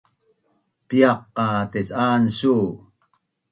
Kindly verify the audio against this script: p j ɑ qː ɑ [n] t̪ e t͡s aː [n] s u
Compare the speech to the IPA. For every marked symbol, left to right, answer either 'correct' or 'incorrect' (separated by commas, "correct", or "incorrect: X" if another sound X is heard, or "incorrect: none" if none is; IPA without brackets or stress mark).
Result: incorrect: none, correct